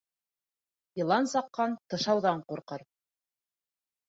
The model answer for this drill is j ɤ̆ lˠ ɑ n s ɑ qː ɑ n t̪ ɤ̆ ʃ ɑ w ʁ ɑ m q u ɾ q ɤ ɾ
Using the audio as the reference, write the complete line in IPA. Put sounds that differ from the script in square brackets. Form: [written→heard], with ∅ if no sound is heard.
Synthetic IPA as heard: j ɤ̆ lˠ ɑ n s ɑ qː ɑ n t̪ ɤ̆ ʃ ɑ w [ʁ→ð] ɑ [m→ɴ] q u ɾ q ɤ ɾ

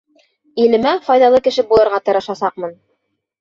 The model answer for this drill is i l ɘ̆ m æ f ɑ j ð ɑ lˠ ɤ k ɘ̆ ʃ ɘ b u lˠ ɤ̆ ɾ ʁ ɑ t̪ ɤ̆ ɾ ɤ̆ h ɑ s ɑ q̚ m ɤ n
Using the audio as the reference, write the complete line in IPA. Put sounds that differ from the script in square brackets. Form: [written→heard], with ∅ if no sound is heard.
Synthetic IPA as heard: i l ɘ̆ m æ f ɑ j ð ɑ lˠ ɤ k ɘ̆ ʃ ɘ b u lˠ ɤ̆ ɾ ʁ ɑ t̪ ɤ̆ ɾ ɤ̆ [h→ʃ] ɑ s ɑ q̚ m ɤ n

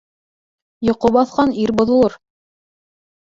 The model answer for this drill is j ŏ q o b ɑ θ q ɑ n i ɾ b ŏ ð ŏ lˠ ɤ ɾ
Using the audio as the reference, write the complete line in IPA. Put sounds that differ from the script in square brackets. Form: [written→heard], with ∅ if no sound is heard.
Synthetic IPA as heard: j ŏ q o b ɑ θ q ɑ n i ɾ b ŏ ð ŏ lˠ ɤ ɾ

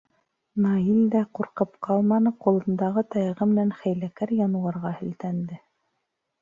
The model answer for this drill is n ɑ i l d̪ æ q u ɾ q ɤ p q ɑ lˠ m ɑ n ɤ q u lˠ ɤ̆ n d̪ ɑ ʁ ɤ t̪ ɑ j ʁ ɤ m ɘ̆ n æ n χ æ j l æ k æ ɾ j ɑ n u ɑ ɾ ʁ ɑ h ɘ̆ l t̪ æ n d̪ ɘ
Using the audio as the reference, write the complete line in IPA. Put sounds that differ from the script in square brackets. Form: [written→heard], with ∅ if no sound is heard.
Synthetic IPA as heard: n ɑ i l d̪ æ q u ɾ q ɤ p q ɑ lˠ m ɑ n ɤ q u lˠ ɤ̆ n d̪ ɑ ʁ ɤ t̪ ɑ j ʁ ɤ m ɘ̆ n æ n χ æ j l æ k æ ɾ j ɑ n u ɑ ɾ ʁ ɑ h ɘ̆ l t̪ æ n d̪ ɘ

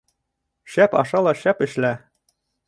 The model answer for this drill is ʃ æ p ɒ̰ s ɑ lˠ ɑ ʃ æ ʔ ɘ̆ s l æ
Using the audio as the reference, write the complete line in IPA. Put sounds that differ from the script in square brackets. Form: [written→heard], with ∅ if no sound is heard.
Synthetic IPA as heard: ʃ æ p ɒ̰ [s→ʃ] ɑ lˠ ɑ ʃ æ [ʔ→p] ɘ̆ [s→ʃ] l æ

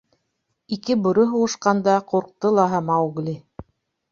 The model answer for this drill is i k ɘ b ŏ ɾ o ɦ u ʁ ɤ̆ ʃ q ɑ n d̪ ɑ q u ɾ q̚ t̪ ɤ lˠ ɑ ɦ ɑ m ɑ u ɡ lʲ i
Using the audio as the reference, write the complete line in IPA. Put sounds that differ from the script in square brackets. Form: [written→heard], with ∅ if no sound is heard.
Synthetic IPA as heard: i k ɘ b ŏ ɾ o ɦ u ʁ ɤ̆ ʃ q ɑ n d̪ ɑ q u ɾ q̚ t̪ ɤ lˠ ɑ ɦ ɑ m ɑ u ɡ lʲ i

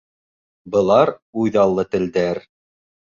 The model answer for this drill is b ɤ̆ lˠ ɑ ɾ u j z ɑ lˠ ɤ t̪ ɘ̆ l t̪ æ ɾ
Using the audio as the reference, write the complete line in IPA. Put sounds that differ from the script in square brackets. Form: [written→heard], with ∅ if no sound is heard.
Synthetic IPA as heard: b ɤ̆ lˠ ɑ ɾ u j [z→ð] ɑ [lˠ→lˠː] ɤ t̪ ɘ̆ l [t̪→d̪] æ ɾ

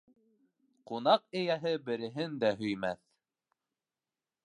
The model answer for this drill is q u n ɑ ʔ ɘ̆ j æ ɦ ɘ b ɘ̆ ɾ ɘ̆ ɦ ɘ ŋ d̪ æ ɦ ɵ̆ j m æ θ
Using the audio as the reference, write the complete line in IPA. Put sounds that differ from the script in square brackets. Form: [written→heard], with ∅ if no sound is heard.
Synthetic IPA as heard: q u n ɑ [ʔ→q] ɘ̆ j æ ɦ ɘ b ɘ̆ ɾ ɘ̆ ɦ ɘ [ŋ→n] d̪ æ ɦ ɵ̆ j m æ θ

